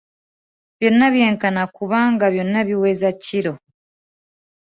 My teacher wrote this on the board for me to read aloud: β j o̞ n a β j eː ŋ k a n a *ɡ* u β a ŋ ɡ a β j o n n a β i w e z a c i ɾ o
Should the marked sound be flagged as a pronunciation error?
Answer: yes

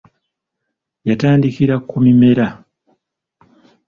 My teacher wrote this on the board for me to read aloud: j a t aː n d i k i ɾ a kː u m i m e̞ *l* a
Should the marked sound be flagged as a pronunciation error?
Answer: yes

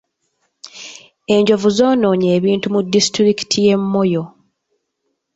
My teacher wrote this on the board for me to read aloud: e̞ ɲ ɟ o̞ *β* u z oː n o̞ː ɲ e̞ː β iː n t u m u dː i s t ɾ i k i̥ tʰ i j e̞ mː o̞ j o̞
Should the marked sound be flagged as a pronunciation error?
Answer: yes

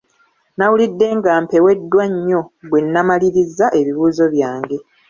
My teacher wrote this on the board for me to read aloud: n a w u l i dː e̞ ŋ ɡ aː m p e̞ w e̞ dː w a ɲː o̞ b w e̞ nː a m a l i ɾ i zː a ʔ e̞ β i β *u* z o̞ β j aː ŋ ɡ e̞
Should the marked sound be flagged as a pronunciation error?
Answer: yes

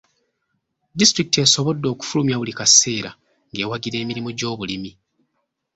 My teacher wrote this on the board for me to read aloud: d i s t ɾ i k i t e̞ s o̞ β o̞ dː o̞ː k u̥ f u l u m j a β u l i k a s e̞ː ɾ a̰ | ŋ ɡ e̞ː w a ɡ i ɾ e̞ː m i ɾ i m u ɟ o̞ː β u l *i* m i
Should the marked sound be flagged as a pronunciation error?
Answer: no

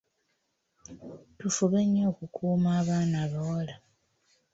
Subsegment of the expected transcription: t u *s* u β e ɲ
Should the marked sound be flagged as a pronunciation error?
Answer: yes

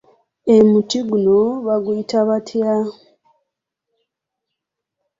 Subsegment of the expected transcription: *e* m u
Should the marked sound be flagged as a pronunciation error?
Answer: no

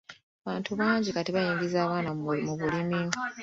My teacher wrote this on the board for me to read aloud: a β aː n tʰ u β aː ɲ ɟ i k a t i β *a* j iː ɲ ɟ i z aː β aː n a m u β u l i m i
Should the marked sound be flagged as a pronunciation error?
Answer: no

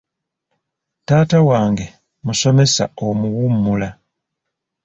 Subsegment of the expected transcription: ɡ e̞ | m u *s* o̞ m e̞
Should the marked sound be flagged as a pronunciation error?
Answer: no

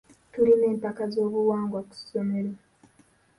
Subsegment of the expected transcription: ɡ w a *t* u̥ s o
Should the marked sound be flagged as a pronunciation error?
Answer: yes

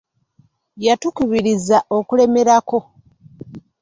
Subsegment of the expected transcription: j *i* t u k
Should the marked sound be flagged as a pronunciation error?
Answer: yes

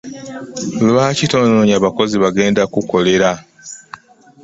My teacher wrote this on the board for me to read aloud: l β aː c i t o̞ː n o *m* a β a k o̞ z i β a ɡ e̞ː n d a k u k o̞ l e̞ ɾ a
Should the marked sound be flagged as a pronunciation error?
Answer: yes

